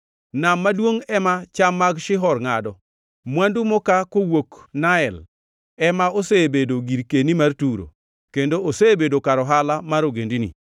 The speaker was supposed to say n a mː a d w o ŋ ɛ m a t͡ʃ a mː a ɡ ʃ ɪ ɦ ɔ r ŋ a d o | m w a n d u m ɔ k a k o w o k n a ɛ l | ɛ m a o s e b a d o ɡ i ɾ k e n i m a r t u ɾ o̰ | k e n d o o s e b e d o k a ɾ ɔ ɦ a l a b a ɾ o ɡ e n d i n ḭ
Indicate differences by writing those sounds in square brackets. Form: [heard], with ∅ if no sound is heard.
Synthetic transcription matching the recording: n a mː a d w o ŋ ɛ m a t͡ʃ a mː a ɡ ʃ ɪ ɦ ɔ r ŋ a d [ɔ] | m w a n d u m ɔ k a k o w o k n a ɛ l | ɛ m a o s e b [e] d o ɡ i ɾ k e n i m a r t u ɾ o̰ | k e n d o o s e b e d o k a ɾ ɔ ɦ a l a [m] a ɾ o ɡ e n d i n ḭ